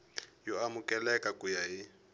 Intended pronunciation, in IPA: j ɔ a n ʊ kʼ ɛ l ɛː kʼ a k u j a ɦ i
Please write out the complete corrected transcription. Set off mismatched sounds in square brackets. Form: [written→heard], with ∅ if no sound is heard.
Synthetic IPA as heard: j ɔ a [n→m] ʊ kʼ ɛ l [ɛː→ɛ] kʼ a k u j a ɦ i